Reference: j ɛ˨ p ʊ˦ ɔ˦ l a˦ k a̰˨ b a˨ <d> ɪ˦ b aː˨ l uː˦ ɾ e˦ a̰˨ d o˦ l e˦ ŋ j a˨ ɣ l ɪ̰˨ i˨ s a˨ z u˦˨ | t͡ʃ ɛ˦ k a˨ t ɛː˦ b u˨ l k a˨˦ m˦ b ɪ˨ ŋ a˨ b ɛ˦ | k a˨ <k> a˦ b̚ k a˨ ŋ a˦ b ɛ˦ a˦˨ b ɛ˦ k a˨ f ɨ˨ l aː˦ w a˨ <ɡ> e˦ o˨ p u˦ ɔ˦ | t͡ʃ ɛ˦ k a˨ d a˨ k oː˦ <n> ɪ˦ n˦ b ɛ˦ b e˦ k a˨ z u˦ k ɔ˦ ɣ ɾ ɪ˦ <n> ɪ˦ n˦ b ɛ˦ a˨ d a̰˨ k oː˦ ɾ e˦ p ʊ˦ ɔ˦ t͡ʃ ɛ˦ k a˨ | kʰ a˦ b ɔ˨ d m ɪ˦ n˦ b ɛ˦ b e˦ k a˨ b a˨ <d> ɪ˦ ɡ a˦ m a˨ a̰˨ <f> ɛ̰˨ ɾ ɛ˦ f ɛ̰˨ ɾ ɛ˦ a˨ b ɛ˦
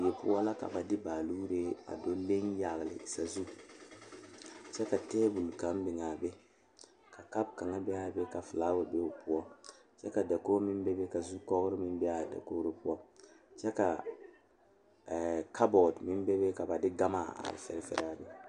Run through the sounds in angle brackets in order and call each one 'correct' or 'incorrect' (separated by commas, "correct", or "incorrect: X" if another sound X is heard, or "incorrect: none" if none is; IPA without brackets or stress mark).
correct, correct, incorrect: b, incorrect: m, incorrect: m, correct, correct